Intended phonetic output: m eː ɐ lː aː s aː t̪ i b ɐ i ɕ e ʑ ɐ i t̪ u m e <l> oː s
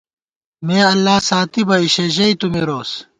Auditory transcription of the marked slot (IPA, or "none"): ɾ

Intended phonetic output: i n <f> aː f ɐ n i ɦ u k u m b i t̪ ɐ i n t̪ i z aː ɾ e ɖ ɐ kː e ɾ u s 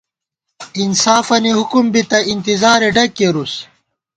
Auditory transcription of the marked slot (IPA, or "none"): s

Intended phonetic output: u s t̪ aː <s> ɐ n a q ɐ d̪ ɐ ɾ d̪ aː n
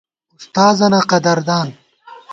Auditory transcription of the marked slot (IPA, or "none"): z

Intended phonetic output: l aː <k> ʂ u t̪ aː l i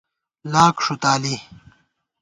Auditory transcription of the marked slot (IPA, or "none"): k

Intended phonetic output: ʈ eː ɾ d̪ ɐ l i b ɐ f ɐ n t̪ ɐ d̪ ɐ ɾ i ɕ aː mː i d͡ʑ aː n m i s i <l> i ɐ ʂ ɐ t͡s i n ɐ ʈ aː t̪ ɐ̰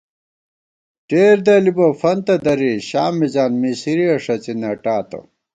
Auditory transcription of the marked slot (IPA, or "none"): ɾ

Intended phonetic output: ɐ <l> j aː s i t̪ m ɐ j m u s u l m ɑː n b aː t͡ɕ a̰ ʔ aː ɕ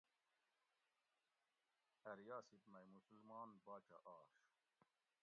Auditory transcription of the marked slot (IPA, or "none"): ɾ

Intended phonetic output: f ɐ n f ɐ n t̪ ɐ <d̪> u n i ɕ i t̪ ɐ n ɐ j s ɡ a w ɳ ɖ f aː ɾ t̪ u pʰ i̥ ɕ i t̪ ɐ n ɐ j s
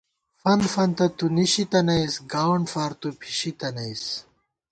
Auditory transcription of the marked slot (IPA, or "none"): t̪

